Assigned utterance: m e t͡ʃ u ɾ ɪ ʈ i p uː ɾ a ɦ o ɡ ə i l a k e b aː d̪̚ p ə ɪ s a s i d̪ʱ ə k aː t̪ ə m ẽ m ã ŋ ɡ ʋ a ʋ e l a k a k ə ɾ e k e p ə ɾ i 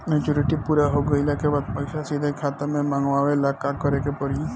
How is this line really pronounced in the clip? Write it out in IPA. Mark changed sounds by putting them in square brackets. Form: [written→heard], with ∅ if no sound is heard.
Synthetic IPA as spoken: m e t͡ʃ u ɾ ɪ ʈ i p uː ɾ a ɦ o ɡ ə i l a k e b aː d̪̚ p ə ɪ s a s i d̪ʱ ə [k→kʰ] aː t̪ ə m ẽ m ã ŋ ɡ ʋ a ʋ e l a k a k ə ɾ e k e p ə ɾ i